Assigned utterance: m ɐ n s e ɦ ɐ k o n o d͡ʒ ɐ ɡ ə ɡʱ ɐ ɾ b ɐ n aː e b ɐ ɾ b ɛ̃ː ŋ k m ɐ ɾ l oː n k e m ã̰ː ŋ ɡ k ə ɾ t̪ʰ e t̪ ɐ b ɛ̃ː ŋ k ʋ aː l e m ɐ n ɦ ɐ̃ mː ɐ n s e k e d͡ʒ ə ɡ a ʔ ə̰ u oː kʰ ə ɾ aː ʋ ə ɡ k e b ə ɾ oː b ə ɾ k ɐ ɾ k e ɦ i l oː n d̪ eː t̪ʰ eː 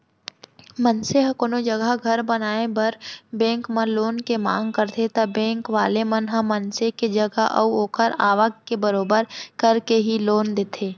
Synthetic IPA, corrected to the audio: m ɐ n s e ɦ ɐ k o n o d͡ʒ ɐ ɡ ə ɡʱ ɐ ɾ b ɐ n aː e b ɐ ɾ b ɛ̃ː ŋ k m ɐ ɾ l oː n k e m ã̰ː ŋ ɡ k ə ɾ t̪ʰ e t̪ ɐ b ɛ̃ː ŋ k ʋ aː l e m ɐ n ɦ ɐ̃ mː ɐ n s e k e d͡ʒ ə ɡ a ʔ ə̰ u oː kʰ ə ɾ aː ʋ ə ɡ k e b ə ɾ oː b ə ɾ k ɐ ɾ k e ɦ i l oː n d̪ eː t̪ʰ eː